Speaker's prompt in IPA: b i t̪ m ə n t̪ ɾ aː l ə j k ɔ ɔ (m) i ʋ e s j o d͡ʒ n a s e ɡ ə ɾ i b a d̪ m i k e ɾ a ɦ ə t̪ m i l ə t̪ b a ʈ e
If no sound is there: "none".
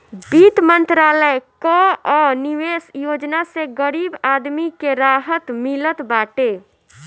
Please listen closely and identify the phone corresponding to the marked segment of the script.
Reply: n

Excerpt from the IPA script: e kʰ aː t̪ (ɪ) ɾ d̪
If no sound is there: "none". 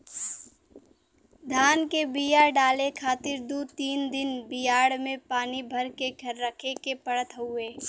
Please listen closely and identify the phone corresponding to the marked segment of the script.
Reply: ɪ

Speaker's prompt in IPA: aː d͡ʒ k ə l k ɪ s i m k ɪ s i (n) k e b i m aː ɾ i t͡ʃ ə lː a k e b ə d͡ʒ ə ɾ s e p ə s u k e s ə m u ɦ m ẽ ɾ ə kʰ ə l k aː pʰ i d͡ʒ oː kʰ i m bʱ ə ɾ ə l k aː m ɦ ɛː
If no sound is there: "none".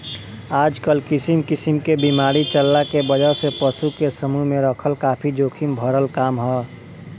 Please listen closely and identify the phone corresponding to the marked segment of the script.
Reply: m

